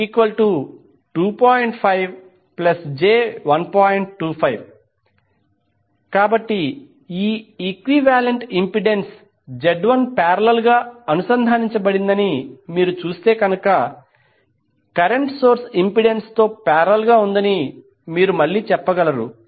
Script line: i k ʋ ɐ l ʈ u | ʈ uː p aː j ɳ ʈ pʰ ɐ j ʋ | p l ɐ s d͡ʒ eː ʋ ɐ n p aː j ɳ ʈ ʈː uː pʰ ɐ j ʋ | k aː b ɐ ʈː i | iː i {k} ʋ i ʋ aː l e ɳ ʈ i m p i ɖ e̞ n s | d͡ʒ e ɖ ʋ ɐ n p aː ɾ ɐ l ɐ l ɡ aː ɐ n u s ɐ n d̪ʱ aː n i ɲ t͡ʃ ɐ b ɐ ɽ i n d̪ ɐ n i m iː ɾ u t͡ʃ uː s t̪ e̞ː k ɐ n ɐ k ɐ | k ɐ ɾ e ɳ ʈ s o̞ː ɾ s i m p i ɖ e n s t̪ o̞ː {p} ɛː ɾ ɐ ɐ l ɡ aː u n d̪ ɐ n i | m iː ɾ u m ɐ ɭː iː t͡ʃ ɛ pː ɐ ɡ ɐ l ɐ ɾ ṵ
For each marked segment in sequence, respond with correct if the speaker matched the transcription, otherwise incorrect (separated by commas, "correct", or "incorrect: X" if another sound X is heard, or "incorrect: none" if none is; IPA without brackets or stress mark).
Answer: correct, correct